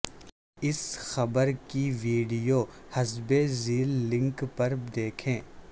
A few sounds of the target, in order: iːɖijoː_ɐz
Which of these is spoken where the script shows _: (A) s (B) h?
B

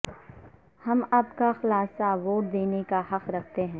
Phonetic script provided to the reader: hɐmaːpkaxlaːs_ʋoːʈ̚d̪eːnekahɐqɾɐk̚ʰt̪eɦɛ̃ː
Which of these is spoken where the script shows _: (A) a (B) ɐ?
A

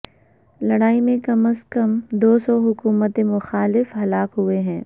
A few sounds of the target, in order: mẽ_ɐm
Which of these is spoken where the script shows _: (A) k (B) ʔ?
A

